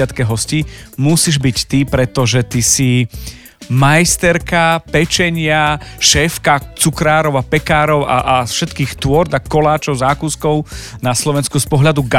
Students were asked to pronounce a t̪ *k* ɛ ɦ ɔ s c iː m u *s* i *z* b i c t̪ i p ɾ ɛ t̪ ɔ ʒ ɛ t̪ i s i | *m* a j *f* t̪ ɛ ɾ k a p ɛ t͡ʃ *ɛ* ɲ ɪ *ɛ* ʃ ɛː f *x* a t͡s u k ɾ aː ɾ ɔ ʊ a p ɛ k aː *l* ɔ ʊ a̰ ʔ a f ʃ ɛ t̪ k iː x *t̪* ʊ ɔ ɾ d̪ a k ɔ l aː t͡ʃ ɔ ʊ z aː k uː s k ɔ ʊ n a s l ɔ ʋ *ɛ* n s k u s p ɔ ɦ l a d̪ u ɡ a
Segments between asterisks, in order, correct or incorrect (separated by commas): correct, correct, incorrect, correct, incorrect, correct, incorrect, incorrect, incorrect, correct, correct